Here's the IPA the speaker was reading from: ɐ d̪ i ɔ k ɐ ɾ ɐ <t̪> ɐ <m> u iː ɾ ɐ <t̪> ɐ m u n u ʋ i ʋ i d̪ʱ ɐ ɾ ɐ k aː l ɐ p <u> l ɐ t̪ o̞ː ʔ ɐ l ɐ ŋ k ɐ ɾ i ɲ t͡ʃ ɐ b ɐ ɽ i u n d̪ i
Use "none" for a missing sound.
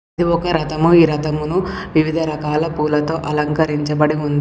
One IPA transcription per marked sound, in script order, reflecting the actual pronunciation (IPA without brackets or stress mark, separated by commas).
t̪, m, t̪, uː